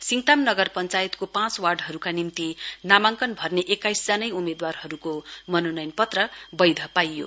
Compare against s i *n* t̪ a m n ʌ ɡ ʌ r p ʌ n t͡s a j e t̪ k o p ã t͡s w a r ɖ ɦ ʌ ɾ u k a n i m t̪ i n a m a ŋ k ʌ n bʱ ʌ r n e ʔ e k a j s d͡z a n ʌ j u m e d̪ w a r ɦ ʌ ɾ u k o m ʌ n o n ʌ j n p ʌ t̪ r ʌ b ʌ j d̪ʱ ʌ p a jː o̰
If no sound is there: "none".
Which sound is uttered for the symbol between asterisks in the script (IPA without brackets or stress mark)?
ŋ